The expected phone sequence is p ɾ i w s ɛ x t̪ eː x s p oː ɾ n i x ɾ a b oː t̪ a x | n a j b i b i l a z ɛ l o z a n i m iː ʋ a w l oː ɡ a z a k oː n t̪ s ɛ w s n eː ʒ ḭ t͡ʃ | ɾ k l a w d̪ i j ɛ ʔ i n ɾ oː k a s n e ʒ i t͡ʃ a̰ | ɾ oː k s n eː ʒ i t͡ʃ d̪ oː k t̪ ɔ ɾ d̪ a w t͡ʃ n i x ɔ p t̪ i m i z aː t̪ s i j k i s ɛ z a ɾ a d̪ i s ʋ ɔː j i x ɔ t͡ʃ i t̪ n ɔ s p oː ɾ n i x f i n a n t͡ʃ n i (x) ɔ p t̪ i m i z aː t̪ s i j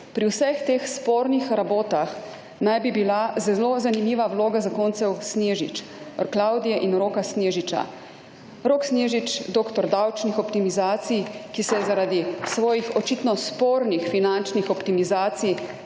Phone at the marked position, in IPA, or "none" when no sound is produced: x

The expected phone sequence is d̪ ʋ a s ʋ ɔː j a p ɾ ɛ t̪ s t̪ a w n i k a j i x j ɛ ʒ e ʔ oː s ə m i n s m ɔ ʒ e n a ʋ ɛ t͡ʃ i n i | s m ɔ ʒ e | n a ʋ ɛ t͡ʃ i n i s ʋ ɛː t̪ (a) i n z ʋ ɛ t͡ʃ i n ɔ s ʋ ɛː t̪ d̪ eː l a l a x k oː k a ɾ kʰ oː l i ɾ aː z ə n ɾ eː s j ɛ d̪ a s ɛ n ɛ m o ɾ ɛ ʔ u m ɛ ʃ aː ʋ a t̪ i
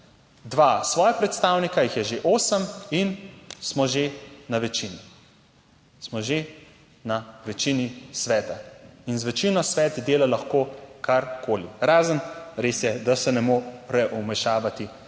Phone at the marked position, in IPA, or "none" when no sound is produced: a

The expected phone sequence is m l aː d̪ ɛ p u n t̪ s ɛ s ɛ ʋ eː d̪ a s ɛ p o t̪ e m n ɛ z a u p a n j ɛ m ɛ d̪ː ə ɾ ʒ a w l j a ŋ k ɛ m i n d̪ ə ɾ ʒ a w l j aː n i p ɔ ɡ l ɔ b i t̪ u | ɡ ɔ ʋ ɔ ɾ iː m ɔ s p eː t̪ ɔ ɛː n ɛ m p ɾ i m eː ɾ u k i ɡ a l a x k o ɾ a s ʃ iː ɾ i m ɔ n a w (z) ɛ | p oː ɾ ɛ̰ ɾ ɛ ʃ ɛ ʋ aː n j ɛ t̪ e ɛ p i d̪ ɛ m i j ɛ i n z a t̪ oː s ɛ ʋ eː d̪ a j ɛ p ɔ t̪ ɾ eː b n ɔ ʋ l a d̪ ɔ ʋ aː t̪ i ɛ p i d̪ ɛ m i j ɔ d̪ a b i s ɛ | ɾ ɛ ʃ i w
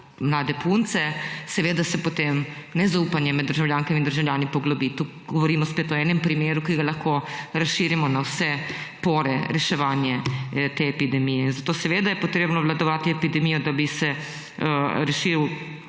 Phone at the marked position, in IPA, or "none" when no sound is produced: s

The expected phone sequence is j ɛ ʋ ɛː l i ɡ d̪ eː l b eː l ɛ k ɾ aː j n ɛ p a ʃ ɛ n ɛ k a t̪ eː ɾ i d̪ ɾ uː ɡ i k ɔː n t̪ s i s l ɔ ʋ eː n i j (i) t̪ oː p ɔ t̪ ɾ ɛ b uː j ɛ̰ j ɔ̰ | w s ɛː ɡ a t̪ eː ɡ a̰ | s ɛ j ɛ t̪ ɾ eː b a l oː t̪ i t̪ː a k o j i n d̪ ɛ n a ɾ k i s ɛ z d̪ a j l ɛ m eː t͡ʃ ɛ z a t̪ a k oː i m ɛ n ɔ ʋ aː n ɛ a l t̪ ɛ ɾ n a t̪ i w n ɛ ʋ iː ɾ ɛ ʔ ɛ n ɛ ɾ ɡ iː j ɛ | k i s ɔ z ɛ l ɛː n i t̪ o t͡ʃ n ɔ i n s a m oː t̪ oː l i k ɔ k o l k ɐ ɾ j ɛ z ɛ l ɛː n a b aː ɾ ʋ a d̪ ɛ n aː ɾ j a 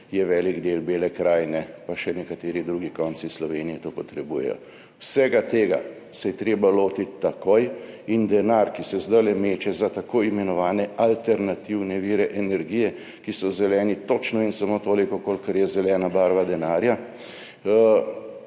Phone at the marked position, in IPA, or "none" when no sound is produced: ɛ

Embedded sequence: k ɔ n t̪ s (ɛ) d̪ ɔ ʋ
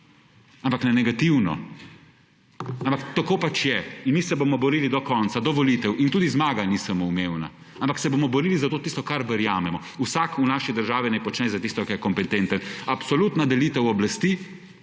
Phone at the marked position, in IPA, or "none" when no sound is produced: a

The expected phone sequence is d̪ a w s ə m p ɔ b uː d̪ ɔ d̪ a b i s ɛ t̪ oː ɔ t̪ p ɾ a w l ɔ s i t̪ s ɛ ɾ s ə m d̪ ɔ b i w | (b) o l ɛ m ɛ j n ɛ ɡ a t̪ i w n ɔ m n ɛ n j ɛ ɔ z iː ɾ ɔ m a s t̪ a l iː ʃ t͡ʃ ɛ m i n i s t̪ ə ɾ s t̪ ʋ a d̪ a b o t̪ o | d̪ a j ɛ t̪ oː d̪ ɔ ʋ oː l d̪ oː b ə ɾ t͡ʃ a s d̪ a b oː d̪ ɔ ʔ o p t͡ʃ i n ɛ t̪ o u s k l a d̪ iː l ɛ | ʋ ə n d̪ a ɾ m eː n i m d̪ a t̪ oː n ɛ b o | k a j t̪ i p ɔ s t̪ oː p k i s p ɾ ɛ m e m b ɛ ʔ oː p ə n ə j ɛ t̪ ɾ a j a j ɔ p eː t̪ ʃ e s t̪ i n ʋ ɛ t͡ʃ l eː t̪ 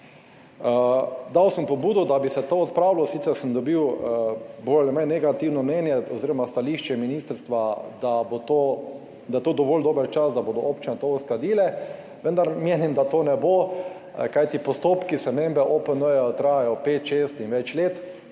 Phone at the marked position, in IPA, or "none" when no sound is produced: b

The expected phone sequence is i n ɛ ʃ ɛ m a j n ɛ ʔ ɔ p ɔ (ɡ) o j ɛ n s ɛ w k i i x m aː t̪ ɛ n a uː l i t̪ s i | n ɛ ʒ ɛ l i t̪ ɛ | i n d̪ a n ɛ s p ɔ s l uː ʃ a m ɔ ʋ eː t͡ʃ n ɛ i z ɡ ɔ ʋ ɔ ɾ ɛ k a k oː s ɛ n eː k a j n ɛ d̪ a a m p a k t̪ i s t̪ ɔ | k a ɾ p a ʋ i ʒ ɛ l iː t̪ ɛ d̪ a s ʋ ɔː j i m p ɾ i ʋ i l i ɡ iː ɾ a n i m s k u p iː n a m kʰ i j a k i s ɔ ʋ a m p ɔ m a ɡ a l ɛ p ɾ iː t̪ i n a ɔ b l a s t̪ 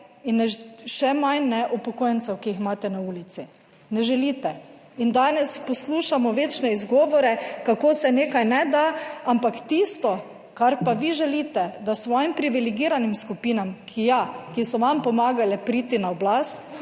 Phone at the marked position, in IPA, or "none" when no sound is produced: k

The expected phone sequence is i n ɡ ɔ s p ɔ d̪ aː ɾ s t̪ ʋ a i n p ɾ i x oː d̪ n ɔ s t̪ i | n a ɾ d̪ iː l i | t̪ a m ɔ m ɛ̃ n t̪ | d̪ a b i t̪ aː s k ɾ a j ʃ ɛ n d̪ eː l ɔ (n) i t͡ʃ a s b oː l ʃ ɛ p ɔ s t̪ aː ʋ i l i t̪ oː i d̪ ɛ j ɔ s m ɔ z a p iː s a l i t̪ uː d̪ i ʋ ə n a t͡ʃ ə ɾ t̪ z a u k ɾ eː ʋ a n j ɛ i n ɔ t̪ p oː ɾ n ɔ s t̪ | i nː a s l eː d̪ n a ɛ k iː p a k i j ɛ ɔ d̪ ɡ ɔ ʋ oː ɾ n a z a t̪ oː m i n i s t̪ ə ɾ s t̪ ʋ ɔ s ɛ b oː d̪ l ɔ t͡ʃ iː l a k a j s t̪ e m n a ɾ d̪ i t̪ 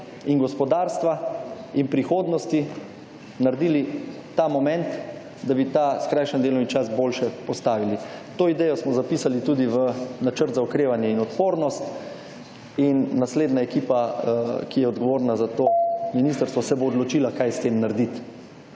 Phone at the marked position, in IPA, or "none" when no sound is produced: m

